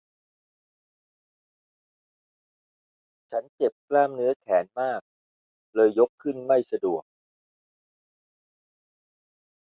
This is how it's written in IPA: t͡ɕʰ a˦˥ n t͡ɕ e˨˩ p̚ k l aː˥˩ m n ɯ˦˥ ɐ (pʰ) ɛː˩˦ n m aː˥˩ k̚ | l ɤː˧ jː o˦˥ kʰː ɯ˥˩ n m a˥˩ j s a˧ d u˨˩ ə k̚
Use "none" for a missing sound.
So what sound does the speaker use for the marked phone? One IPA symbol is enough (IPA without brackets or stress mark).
kʰ